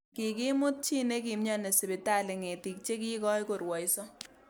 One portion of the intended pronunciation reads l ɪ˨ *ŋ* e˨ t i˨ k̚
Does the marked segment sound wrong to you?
no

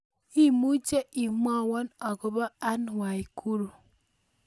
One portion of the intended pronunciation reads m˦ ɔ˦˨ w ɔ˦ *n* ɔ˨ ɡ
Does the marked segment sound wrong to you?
no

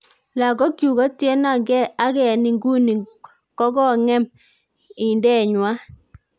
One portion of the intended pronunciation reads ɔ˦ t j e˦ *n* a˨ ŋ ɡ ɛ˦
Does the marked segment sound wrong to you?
no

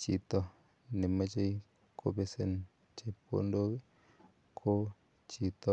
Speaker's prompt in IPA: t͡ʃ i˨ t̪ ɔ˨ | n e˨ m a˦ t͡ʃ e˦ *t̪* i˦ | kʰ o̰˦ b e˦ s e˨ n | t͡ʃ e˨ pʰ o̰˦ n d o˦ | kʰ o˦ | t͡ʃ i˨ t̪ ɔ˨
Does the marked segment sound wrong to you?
yes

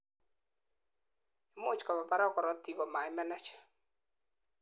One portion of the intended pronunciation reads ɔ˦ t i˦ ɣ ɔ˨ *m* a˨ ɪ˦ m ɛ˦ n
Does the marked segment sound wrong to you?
no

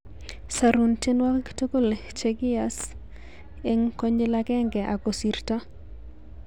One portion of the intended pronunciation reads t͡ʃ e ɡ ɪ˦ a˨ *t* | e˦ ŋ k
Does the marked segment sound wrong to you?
yes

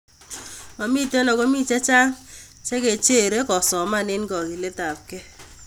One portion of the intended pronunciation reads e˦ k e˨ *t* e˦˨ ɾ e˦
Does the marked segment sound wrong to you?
yes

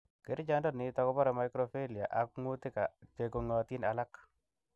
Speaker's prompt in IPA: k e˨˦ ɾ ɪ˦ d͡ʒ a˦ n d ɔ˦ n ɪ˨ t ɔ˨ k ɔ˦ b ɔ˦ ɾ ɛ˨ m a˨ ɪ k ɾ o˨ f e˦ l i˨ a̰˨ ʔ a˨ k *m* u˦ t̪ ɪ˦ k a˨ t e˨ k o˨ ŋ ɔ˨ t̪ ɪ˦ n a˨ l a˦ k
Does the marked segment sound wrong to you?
yes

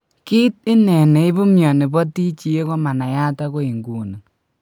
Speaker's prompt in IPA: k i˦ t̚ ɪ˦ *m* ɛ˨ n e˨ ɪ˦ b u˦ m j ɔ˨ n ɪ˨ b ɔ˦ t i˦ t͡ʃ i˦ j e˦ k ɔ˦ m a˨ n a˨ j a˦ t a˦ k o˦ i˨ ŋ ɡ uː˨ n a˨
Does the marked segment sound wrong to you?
yes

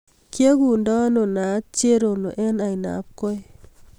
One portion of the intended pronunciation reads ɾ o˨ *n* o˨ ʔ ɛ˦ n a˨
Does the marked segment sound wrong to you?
no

